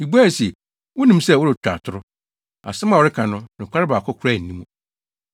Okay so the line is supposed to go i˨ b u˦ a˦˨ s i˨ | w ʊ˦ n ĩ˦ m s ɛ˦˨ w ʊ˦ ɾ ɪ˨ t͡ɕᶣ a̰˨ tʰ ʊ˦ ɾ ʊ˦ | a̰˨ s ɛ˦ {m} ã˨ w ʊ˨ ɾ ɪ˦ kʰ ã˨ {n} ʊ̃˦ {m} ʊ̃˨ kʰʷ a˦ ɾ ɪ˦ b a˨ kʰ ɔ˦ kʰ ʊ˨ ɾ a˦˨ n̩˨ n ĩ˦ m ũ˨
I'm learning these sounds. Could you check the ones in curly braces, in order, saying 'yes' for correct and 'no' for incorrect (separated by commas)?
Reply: yes, yes, no